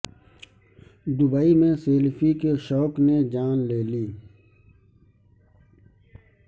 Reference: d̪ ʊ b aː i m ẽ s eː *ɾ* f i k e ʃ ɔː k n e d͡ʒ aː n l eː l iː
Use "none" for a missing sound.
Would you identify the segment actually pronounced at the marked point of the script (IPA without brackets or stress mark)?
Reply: l